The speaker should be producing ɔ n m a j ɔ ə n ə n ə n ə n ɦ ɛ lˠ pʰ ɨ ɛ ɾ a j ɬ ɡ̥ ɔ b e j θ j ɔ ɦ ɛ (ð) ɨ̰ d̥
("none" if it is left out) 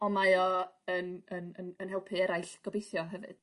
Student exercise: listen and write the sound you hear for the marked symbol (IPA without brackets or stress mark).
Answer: v